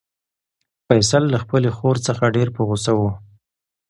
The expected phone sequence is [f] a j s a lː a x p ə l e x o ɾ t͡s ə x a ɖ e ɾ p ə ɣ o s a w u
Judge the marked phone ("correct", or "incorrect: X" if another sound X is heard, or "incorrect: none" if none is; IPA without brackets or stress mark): correct